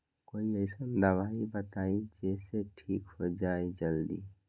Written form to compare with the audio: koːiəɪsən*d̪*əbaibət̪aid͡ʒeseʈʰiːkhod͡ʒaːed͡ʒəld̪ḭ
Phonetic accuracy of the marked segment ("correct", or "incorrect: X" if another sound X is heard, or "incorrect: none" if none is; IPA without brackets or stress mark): correct